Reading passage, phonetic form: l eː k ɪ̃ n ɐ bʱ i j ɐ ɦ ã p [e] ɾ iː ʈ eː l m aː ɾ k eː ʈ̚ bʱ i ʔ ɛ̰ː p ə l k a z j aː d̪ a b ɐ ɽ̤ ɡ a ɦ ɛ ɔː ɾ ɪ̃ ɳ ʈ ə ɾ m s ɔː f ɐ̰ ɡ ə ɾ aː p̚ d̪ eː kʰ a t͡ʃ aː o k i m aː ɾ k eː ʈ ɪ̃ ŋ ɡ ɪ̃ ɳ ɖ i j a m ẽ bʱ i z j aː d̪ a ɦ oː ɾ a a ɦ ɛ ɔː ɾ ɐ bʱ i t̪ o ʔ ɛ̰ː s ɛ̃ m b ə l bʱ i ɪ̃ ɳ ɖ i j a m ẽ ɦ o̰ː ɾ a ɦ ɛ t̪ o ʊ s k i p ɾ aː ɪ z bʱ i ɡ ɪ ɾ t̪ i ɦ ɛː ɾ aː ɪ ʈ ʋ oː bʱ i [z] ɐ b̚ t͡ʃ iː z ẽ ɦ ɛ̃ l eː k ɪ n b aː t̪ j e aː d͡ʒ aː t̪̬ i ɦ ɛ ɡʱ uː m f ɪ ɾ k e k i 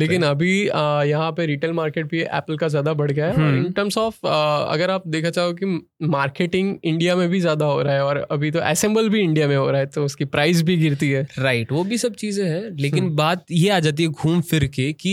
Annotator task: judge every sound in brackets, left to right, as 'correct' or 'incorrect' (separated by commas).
correct, incorrect